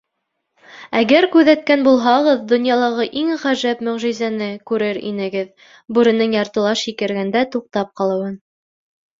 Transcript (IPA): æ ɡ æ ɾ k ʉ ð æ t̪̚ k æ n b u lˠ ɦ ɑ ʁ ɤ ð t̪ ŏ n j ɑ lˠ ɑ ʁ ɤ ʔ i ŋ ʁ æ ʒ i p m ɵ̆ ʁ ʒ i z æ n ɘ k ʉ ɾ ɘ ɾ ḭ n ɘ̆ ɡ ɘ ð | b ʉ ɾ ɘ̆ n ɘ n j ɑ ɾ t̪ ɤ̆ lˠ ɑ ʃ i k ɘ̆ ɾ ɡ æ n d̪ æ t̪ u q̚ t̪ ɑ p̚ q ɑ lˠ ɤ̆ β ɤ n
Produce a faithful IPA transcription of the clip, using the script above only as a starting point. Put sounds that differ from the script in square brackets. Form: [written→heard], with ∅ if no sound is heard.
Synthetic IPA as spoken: æ ɡ æ ɾ k ʉ ð æ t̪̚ k æ n b u lˠ ɦ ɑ ʁ ɤ ð [t̪→d̪] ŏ n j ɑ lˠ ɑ ʁ ɤ ʔ i ŋ ʁ æ ʒ [i→æ] p m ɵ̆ ʁ ʒ i z æ n ɘ k ʉ ɾ ɘ ɾ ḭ n ɘ̆ ɡ ɘ ð | b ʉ ɾ ɘ̆ n ɘ [n→ŋ] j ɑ ɾ t̪ ɤ̆ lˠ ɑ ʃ i k ɘ̆ ɾ ɡ æ n d̪ æ t̪ u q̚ t̪ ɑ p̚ q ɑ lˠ ɤ̆ [β→w] ɤ n